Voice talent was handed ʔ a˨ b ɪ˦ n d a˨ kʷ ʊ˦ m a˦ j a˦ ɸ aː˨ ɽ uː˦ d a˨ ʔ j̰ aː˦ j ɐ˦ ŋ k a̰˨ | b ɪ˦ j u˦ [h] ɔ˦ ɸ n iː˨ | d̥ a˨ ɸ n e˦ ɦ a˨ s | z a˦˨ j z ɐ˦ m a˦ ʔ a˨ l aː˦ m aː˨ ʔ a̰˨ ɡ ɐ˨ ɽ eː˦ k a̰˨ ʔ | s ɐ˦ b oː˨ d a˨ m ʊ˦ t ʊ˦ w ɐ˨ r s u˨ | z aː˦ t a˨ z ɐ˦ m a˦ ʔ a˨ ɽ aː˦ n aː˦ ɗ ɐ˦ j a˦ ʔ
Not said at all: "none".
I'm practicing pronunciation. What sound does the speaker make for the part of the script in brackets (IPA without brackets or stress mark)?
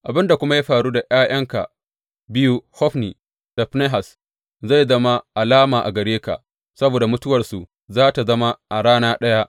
h